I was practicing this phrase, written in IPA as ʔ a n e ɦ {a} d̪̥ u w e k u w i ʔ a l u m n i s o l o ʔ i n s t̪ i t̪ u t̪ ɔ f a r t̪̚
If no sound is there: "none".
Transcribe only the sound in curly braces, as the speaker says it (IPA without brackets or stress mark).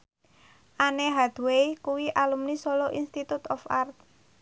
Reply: a